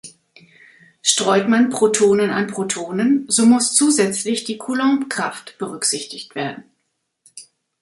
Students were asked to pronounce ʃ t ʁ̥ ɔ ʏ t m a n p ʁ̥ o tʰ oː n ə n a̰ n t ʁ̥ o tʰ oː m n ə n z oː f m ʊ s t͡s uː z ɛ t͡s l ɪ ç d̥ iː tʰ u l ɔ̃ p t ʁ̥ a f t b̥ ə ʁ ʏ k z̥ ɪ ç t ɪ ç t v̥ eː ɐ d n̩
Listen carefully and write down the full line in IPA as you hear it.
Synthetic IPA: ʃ t ʁ̥ ɔ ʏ t m a n p ʁ̥ o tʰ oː n ə n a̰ n p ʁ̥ o tʰ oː n ə n z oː m ʊ s t͡s uː z ɛ t͡s l ɪ ç d̥ iː kʰ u l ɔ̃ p k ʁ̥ a f t b̥ ə ʁ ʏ k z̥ ɪ ç t ɪ ç t v̥ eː ɐ d n̩